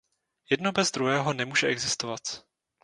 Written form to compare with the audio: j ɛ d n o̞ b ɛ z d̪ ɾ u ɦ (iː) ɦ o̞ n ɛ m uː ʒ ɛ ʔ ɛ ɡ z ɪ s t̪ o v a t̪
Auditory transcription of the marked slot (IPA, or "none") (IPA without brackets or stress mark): ɛː